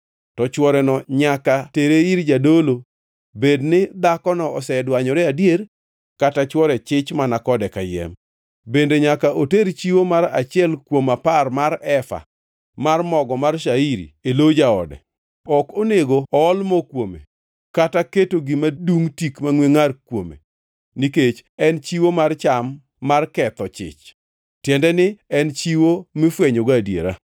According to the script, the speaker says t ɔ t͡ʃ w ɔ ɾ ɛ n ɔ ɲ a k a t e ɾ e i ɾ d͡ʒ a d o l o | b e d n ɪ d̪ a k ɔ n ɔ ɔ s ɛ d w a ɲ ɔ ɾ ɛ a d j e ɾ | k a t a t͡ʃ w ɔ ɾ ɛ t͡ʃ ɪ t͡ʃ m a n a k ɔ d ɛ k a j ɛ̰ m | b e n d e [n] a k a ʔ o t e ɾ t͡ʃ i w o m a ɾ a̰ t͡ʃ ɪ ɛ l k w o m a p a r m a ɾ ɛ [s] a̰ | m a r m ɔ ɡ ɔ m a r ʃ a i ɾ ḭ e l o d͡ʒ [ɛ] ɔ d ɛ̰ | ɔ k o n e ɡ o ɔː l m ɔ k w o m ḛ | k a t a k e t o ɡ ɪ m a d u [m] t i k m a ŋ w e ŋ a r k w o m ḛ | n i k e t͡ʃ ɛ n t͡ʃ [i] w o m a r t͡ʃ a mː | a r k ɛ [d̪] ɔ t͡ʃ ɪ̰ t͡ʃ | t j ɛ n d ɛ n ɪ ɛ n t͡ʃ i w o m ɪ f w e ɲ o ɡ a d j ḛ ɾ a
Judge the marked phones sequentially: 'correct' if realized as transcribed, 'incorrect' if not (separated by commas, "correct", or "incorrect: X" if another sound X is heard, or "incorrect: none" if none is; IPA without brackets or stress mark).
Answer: incorrect: ɲ, incorrect: f, incorrect: a, incorrect: ŋ, correct, incorrect: t̪